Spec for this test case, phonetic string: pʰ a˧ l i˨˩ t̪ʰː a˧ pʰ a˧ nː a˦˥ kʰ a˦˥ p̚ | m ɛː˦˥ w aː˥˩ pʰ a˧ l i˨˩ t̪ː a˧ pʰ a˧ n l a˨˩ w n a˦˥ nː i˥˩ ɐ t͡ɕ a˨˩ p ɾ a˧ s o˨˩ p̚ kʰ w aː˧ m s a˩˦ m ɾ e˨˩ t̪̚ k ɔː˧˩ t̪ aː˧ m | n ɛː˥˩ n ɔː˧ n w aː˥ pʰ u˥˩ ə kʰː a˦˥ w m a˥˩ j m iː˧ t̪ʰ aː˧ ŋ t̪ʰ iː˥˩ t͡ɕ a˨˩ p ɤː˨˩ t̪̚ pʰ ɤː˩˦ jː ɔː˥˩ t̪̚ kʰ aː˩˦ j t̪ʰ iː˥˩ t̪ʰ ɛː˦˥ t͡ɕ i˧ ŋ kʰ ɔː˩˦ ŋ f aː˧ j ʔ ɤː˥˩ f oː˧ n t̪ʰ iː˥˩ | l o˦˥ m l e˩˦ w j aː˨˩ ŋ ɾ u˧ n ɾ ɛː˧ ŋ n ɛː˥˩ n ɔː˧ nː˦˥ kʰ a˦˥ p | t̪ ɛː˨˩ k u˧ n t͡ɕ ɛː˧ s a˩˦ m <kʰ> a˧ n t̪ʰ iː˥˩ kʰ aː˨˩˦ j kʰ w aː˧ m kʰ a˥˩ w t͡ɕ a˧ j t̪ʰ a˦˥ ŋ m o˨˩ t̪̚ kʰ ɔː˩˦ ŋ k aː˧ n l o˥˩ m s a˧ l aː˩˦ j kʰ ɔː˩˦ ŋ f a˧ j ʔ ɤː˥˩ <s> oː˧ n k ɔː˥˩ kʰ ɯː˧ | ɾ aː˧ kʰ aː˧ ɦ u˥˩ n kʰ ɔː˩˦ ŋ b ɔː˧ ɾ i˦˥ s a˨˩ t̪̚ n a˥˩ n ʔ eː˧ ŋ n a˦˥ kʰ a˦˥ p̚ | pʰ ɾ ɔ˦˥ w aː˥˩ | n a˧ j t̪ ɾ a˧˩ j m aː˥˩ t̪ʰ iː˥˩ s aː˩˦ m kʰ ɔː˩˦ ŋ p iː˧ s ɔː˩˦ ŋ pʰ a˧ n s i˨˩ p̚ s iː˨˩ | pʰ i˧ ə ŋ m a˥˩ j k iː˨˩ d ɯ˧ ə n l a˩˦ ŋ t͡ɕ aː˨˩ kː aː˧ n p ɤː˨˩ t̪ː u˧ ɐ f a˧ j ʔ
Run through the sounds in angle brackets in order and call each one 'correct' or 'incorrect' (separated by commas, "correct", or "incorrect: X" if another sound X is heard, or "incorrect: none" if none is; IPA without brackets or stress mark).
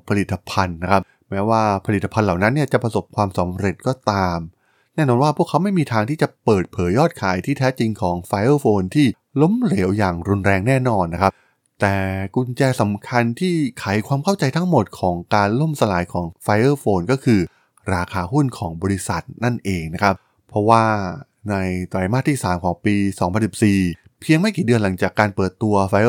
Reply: correct, incorrect: f